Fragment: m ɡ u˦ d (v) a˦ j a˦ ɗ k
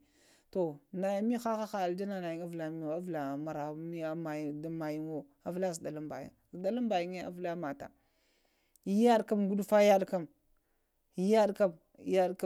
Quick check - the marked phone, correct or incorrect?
incorrect